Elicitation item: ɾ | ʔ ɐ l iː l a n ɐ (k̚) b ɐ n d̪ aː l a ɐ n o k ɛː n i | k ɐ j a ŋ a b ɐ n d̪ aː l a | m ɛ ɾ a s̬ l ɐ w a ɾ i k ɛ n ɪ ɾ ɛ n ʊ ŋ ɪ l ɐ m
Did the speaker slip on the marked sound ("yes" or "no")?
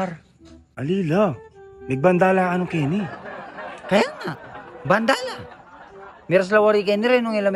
yes